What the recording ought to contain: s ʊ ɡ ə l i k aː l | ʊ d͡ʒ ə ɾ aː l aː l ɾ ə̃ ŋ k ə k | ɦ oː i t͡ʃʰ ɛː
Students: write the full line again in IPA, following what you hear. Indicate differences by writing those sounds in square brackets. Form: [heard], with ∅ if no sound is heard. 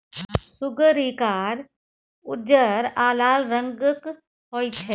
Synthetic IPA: s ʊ ɡ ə [ɾ] i k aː [ɾ] | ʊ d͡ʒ ə ɾ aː l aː l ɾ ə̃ ŋ [ɡ] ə k | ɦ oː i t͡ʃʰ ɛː